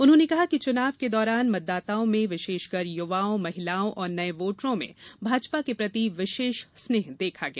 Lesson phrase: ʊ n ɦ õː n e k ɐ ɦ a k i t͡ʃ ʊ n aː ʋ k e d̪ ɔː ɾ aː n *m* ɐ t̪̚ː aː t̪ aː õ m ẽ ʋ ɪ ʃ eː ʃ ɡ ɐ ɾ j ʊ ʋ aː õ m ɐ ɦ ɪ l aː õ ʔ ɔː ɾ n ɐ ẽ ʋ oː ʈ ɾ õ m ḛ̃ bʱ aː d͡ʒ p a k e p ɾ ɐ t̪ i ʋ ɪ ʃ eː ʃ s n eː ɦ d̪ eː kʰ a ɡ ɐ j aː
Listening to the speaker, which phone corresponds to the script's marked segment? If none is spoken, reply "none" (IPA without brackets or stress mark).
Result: m